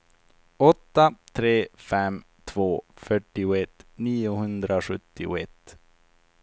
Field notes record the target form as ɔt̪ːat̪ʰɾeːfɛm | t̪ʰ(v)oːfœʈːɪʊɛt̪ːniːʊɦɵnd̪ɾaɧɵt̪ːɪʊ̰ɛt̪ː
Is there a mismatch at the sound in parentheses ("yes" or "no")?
no